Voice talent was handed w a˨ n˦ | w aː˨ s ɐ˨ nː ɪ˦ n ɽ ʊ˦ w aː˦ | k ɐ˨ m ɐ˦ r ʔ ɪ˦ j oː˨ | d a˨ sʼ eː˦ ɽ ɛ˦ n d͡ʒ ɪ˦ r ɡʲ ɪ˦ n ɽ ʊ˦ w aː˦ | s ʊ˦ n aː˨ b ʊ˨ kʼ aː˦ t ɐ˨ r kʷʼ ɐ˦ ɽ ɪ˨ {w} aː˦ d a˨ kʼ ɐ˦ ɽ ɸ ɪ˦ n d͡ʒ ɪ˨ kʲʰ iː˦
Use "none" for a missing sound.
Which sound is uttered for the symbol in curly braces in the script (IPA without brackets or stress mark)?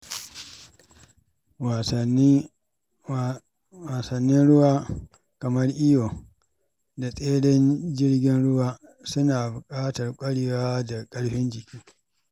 w